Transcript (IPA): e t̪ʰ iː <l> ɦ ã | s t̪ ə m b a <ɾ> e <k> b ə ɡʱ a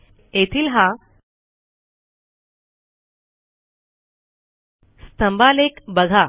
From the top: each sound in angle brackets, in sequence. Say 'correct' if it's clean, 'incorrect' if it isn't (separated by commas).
correct, incorrect, correct